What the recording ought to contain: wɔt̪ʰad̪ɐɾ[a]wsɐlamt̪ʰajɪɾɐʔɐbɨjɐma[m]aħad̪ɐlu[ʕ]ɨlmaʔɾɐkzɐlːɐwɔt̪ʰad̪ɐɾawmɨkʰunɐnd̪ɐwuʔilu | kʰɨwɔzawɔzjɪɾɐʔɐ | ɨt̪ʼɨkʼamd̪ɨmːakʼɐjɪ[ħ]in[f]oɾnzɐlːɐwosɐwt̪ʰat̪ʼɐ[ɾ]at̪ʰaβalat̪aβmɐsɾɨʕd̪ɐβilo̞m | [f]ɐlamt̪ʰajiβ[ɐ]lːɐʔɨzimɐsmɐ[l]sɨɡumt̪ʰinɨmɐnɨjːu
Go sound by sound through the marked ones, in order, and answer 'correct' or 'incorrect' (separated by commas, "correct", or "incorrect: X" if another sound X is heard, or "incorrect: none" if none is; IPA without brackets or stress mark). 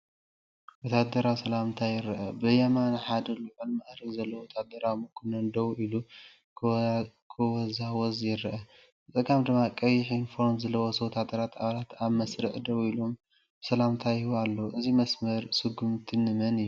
correct, incorrect: n, correct, correct, correct, correct, incorrect: s, incorrect: a, incorrect: ɾ